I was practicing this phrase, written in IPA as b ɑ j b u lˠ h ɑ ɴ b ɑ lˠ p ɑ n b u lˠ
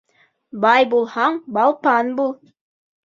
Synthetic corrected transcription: b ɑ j b u lˠ h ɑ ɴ b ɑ lˠ p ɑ n b u lˠ